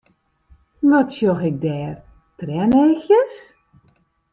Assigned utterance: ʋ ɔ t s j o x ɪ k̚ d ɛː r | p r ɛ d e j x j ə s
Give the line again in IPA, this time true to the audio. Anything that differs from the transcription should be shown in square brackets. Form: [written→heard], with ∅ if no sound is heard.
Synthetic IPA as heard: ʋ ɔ t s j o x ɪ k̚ d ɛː r | [p→t] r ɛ [d→n] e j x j ə s